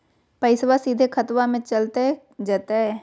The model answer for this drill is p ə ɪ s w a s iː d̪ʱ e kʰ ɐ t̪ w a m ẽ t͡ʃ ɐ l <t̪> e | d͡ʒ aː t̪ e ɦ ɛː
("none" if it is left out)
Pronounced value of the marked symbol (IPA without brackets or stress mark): t̪